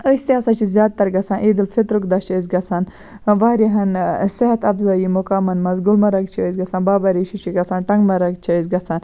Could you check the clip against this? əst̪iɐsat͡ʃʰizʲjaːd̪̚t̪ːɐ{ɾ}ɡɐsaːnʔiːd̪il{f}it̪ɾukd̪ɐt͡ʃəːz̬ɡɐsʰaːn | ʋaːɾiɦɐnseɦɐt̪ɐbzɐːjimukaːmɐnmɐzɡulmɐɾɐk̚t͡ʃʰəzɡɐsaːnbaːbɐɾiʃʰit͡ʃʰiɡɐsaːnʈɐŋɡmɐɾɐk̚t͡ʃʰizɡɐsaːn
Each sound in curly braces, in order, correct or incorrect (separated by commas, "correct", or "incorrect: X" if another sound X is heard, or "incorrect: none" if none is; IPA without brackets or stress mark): correct, correct